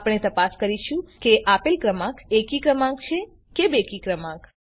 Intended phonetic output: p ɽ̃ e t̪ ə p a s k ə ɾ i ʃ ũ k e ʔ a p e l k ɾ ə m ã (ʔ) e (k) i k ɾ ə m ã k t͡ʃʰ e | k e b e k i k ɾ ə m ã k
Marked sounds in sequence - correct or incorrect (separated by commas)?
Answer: incorrect, correct